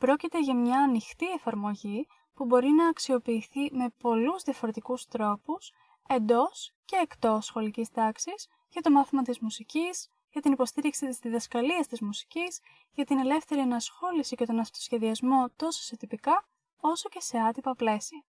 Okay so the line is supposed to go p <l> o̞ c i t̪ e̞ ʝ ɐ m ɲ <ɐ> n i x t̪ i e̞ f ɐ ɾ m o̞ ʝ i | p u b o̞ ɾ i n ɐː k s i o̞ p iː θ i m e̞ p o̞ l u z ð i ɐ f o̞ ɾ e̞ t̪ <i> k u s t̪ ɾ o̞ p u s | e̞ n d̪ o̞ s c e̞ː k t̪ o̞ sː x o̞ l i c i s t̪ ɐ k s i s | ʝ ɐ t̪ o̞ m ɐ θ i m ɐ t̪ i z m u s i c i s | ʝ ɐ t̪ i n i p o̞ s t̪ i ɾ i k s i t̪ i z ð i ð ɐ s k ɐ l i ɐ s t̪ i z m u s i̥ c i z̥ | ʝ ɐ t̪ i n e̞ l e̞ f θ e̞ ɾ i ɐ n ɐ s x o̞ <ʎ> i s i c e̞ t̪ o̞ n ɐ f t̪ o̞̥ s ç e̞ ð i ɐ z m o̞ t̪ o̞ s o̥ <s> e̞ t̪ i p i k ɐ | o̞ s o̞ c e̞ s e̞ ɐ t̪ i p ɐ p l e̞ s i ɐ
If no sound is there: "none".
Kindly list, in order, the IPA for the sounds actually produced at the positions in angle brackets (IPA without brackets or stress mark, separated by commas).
ɾ, ɐː, i, l, s